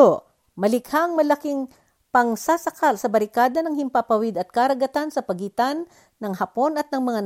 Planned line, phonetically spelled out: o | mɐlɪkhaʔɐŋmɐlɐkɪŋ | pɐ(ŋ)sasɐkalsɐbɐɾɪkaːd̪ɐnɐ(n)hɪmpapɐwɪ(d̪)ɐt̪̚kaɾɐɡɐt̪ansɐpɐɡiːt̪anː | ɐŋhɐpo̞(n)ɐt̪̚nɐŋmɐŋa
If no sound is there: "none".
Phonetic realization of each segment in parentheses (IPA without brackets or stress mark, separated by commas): ŋ, ŋ, d̪, n